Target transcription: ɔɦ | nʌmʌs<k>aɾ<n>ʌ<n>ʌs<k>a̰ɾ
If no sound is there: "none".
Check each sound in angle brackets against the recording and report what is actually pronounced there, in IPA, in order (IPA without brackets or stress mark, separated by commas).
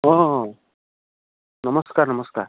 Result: k, n, m, k